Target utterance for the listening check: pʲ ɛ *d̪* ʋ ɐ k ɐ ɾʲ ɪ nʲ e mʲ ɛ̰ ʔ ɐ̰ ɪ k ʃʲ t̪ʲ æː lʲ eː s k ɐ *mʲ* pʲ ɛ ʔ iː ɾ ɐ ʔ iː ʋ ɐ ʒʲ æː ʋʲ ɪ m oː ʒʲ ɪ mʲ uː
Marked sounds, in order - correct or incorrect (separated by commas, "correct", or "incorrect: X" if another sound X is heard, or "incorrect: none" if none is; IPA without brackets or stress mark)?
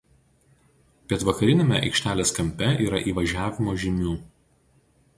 incorrect: t̪, correct